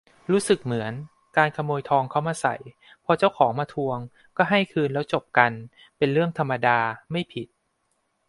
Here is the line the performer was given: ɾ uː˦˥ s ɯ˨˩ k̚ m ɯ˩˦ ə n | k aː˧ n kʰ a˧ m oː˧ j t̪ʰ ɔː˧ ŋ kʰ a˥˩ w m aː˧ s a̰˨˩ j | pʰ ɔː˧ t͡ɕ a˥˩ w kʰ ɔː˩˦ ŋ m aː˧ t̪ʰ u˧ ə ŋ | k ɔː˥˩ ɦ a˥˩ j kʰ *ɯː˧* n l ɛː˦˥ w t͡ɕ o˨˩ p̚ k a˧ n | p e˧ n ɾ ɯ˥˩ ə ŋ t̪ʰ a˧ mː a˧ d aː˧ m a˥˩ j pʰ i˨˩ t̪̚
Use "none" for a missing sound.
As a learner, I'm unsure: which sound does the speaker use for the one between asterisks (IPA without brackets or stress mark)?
ɯː˧